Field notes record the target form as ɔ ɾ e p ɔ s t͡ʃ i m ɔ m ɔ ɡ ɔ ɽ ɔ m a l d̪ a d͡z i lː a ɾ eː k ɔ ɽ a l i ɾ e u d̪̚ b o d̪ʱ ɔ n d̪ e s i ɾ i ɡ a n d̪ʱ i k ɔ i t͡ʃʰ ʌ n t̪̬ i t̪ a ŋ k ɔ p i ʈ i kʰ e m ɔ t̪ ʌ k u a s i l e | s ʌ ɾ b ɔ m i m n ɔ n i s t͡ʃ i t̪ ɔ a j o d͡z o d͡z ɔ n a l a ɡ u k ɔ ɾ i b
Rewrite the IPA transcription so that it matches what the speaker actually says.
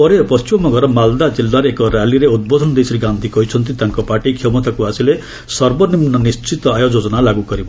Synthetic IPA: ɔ ɾ e p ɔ s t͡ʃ i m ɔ m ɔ ɡ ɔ ɾ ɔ m a l d̪ a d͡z i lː a ɾ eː k ɔ ɾ a l i ɾ e u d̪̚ b o d̪ʱ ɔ n d̪ e s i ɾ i ɡ a n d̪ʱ i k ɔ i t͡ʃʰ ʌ n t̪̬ i t̪ a ŋ k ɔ p a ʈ i kʰ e m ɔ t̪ a k u a s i l e | s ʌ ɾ b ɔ n i m n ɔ n i s t͡ʃ i t̪ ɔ a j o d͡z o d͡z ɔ n a l a ɡ u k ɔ ɾ i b